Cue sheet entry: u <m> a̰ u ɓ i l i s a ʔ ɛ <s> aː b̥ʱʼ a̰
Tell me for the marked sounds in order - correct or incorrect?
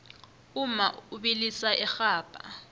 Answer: correct, incorrect

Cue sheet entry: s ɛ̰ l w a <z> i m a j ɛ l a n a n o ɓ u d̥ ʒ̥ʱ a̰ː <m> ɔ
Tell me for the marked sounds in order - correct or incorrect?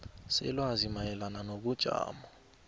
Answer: correct, correct

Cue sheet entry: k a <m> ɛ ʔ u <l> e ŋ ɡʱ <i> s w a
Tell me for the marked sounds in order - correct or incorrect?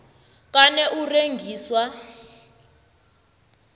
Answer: incorrect, incorrect, incorrect

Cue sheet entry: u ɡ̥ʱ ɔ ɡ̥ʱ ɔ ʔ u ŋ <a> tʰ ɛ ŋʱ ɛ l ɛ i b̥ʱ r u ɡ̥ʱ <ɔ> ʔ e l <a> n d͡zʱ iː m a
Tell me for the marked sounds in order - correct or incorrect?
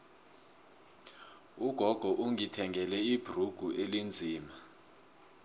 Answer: incorrect, incorrect, incorrect

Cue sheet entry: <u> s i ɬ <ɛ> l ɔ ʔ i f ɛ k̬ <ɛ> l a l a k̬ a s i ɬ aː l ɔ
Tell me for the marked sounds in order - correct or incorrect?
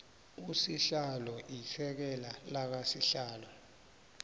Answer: correct, incorrect, correct

